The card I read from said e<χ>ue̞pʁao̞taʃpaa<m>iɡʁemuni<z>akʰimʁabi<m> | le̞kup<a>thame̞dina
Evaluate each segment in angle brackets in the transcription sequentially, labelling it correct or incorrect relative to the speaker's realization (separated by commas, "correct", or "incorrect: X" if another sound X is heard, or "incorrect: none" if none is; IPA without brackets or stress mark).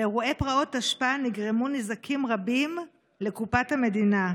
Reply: incorrect: ʁ, incorrect: n, correct, correct, correct